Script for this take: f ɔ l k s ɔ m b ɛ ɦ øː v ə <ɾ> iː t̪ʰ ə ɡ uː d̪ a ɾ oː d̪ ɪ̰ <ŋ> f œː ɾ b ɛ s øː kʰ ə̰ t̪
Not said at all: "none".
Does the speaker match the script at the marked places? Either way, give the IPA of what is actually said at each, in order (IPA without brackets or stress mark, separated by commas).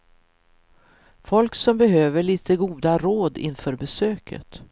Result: ɭ, n